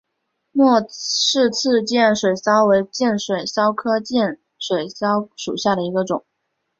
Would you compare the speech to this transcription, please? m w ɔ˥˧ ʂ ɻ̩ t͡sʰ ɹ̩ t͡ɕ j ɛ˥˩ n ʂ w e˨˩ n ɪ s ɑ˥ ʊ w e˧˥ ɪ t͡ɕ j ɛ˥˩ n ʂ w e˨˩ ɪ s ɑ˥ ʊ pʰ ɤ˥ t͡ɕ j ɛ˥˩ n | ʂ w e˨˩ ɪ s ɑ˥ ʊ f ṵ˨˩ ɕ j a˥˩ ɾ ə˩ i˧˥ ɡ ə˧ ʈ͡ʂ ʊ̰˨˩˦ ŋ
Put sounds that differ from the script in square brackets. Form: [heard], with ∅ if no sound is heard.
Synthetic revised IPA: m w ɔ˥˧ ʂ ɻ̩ t͡sʰ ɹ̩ t͡ɕ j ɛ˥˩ n ʂ w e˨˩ [∅] ɪ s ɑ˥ ʊ w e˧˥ ɪ t͡ɕ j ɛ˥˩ n ʂ w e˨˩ ɪ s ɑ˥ ʊ [kʰ] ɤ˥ t͡ɕ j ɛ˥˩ n | ʂ w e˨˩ ɪ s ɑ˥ ʊ [ʂ] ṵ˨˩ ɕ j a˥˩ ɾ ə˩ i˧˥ ɡ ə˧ ʈ͡ʂ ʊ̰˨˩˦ ŋ